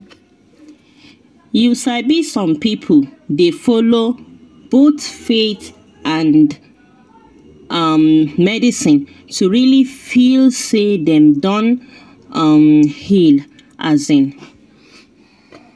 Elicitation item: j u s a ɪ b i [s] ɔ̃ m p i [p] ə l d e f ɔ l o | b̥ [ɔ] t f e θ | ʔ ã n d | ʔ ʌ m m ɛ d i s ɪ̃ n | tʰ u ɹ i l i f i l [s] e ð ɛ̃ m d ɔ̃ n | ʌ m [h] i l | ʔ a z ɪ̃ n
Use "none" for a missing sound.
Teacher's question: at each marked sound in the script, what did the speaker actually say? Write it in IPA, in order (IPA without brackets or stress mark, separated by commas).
s, pʰ, o, s, h